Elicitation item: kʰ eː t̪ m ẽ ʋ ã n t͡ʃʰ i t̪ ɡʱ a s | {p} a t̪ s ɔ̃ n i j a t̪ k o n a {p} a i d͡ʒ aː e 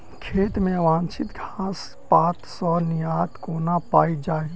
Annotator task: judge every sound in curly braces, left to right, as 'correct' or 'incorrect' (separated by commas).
correct, correct